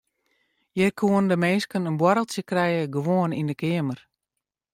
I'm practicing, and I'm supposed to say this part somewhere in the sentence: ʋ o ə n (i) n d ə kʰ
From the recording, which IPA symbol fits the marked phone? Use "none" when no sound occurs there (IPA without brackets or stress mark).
i